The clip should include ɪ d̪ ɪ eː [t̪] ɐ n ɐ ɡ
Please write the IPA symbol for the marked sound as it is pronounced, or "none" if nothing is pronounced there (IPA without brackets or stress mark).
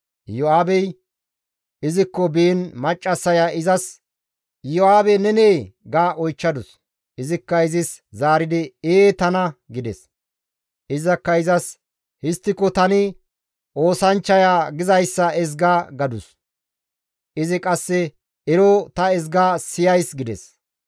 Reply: t̪